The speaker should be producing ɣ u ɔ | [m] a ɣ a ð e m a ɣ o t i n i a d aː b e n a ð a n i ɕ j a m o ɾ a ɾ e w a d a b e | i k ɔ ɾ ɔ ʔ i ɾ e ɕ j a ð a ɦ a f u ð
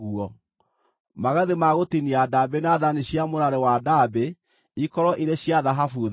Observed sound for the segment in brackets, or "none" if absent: m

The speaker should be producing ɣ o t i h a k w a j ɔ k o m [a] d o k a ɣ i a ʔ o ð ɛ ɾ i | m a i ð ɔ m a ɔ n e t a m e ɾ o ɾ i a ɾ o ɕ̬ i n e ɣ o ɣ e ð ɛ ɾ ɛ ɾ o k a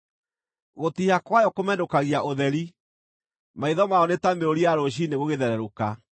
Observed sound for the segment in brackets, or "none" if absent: ɛ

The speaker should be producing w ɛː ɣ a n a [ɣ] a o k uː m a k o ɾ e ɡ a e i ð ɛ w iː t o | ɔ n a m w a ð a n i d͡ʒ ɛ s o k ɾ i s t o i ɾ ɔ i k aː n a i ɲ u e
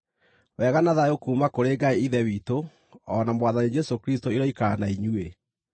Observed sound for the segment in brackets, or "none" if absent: ð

